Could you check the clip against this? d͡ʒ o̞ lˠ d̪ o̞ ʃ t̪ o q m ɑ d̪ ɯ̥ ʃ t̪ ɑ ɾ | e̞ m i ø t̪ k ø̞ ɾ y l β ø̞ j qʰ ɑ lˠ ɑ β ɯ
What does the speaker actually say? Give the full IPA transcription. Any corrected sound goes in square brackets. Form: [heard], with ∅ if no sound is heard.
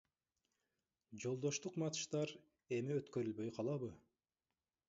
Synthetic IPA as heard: d͡ʒ o̞ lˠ d̪ o̞ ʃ t̪ [u] q m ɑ [t̪] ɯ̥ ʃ t̪ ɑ ɾ | e̞ m i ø t̪ k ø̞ ɾ y l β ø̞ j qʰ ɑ lˠ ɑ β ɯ